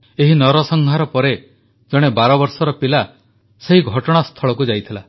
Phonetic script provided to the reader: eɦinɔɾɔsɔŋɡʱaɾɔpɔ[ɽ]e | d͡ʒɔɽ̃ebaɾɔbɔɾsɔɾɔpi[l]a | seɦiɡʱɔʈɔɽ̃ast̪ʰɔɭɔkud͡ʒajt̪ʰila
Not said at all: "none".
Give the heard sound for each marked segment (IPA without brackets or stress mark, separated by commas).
ɾ, l